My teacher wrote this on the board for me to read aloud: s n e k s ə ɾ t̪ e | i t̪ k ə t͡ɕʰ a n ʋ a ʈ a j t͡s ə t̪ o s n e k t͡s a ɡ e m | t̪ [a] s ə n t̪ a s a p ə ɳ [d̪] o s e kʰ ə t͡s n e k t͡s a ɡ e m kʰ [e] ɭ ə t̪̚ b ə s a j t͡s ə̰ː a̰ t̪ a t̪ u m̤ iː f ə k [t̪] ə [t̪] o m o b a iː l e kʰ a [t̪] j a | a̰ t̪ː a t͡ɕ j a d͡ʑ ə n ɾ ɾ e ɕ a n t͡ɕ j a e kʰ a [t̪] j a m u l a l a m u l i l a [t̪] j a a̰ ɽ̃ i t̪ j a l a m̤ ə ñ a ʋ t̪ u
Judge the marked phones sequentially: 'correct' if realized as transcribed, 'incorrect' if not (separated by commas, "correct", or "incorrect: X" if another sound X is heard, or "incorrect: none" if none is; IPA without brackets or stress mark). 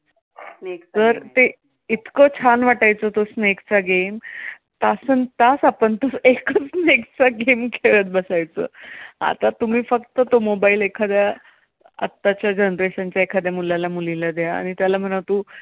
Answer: correct, incorrect: t̪, correct, correct, correct, incorrect: d̪, incorrect: d̪, incorrect: d̪